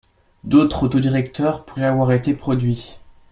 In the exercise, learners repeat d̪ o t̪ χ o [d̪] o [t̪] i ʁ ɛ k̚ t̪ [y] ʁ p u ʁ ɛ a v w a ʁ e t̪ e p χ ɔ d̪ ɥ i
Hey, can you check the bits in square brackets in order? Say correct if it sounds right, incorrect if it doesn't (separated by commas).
incorrect, incorrect, incorrect